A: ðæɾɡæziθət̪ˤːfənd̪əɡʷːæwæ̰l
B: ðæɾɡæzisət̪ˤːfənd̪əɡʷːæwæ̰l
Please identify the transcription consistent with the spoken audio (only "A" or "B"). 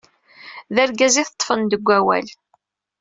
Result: A